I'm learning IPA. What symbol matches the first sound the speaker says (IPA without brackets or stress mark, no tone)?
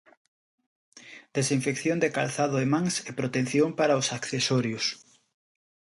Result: d̪